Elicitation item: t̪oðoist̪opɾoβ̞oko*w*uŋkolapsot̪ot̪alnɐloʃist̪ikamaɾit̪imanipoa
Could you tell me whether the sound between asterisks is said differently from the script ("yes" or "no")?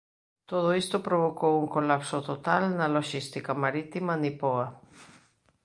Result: no